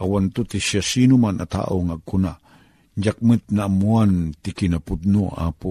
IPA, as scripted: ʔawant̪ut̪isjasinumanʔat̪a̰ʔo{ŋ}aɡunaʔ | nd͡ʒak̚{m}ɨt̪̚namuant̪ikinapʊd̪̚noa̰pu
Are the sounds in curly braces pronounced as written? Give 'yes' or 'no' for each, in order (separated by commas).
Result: yes, yes